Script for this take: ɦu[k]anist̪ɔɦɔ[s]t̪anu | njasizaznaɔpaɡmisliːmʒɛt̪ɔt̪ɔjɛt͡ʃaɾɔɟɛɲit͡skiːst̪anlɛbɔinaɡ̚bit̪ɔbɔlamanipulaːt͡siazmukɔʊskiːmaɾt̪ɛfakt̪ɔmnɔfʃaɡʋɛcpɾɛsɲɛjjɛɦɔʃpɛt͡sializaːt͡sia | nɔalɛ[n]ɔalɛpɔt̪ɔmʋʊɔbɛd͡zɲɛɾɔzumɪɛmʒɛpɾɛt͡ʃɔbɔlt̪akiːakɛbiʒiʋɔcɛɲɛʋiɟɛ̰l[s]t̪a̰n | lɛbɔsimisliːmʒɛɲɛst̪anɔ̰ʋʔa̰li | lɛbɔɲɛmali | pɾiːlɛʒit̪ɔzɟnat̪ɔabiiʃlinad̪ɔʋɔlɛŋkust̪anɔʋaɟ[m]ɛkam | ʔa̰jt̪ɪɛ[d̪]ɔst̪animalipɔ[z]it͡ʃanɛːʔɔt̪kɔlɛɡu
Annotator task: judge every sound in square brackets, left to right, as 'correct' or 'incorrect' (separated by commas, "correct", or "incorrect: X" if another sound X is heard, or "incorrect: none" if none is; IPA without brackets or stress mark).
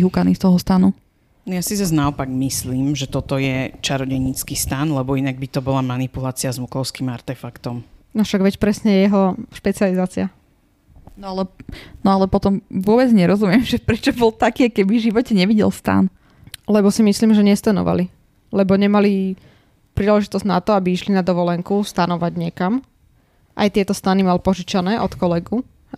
correct, correct, correct, correct, incorrect: ɲ, incorrect: t̪, incorrect: ʒ